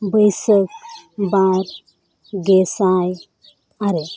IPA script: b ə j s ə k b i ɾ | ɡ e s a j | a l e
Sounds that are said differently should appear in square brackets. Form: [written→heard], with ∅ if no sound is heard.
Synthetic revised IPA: b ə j s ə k b [i→a] ɾ | ɡ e s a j | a [l→ɾ] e